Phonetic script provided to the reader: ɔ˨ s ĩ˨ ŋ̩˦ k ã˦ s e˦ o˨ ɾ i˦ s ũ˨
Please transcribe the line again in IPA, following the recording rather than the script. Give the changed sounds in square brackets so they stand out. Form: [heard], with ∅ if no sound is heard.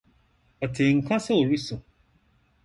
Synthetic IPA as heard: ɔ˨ [t] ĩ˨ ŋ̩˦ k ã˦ s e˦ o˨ ɾ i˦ s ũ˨

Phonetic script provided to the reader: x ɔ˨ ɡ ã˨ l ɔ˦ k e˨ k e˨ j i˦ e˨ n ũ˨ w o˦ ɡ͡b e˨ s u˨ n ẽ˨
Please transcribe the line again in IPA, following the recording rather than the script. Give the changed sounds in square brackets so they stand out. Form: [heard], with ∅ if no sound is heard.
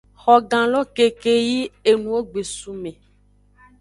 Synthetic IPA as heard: x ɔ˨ ɡ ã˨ l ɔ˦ k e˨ k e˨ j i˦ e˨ n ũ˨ w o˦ ɡ͡b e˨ s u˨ [m] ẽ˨

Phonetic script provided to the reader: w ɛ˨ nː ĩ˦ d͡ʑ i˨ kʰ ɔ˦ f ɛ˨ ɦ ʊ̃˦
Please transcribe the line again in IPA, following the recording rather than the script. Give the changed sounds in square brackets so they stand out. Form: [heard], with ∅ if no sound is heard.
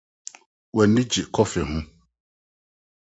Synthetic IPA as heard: w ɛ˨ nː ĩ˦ d͡ʑ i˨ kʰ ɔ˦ f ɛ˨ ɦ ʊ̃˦

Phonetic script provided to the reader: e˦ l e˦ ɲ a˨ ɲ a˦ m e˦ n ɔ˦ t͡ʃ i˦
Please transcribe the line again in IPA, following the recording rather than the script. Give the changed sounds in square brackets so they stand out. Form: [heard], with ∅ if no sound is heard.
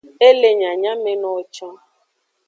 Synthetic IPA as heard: e˦ l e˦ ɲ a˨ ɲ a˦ m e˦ n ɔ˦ t͡ʃ [a˦]

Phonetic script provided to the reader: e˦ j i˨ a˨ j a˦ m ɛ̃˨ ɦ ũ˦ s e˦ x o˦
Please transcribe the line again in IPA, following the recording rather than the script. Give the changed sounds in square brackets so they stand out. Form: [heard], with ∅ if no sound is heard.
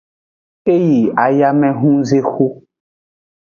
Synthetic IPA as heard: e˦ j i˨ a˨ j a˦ m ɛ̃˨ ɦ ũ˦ [z] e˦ x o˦

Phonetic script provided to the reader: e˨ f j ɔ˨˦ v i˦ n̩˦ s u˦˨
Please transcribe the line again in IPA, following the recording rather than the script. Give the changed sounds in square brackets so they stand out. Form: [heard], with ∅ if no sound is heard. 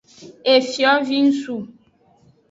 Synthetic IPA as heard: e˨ f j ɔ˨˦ v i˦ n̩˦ s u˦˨

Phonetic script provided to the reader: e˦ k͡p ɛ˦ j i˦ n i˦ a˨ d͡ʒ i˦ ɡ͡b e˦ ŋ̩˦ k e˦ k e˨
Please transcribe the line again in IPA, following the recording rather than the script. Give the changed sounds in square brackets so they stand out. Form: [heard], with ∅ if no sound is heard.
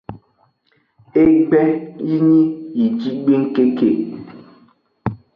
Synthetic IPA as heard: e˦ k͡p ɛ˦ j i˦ [ɲ] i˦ [i˨] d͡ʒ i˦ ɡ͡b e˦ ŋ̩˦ k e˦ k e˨

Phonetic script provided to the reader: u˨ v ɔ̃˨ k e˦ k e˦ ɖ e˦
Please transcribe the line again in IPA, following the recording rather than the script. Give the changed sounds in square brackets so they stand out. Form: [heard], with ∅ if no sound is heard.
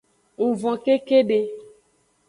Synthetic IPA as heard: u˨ v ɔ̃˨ k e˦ k e˦ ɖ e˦

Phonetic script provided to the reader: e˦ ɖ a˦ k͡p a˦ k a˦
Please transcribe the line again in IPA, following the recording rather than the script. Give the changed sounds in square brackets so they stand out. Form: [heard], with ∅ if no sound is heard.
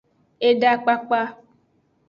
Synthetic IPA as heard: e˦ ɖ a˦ k͡p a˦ [k͡p] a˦

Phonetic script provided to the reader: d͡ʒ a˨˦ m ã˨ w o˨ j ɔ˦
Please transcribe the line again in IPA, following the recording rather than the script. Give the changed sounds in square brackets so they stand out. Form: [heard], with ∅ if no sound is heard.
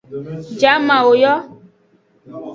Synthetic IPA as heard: d͡ʒ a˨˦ m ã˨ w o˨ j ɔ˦

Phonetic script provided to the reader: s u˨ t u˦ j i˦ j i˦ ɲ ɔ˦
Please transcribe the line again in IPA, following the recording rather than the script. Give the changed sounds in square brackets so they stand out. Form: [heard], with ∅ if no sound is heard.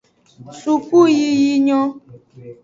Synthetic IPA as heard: s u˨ [k] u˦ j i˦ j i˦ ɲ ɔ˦

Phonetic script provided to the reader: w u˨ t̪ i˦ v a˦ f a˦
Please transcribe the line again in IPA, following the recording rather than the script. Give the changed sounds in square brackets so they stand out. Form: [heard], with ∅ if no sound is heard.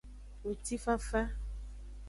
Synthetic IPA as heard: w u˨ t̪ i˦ [f] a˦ f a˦

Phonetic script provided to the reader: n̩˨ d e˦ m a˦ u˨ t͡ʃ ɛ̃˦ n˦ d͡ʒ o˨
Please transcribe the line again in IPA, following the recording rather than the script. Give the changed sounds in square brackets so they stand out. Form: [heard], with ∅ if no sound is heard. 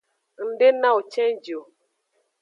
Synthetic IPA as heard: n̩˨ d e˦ [n] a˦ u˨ t͡ʃ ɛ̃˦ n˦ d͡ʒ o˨

